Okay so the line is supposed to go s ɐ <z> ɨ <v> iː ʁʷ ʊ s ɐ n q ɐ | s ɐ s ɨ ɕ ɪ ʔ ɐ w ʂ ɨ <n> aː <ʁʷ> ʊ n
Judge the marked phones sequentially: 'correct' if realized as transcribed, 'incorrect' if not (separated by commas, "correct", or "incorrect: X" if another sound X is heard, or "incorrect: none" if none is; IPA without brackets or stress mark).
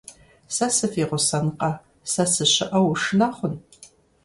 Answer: incorrect: s, incorrect: f, correct, incorrect: χʷ